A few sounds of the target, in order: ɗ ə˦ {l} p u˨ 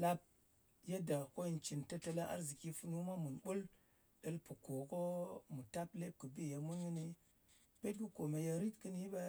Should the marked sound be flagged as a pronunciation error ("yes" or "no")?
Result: no